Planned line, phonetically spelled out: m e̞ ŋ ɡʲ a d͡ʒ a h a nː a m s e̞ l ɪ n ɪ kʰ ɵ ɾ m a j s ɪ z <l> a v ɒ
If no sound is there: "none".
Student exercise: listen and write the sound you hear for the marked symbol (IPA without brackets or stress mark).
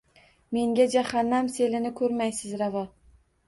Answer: ɾ